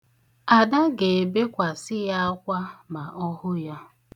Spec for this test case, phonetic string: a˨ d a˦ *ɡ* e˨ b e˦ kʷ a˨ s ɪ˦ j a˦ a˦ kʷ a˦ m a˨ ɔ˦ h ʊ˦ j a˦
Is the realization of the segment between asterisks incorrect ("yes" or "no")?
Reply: no